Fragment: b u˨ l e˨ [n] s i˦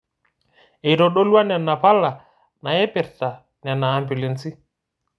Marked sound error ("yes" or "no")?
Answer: no